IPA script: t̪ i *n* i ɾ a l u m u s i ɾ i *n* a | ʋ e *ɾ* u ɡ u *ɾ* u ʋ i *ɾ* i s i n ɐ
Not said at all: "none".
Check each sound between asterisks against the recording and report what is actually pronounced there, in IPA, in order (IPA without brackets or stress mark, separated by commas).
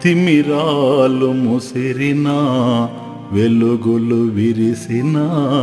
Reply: m, n, l, l, ɾ